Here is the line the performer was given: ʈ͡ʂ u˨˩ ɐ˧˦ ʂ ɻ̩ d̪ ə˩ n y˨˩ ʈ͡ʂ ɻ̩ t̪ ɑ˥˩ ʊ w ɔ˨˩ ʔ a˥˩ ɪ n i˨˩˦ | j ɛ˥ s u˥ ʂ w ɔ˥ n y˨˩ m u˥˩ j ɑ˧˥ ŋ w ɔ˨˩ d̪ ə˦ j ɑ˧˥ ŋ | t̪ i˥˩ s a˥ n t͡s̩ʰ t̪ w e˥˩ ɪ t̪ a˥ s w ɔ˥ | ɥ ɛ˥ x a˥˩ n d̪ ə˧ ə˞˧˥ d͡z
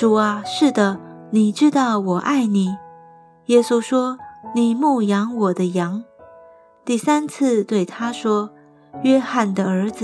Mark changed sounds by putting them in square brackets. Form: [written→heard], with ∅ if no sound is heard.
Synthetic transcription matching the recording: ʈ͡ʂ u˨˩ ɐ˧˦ ʂ ɻ̩ d̪ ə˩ n [y˨˩→i˨˩] ʈ͡ʂ ɻ̩ t̪ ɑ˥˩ ʊ w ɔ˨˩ ʔ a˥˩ ɪ n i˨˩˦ | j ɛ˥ s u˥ ʂ w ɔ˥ n [y˨˩→i˨˩] m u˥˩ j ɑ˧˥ ŋ w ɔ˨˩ d̪ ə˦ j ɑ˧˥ ŋ | t̪ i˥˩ s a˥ n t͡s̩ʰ t̪ w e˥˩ ɪ [t̪→t̪ʰ] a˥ [s→ʂ] w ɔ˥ | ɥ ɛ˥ x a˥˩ n d̪ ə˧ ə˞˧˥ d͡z